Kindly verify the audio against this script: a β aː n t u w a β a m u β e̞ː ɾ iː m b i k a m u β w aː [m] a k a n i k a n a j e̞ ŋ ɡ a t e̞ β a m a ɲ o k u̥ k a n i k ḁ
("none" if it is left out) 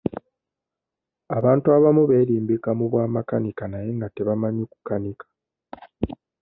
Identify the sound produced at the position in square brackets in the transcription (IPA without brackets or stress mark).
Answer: m